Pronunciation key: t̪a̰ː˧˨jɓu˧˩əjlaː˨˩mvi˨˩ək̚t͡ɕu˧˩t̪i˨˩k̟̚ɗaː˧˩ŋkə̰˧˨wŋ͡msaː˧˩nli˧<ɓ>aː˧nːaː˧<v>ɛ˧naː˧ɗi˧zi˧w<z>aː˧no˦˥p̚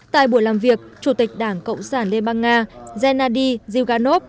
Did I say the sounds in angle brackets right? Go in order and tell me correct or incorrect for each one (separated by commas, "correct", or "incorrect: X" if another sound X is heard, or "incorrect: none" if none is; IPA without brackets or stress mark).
correct, incorrect: z, incorrect: ɣ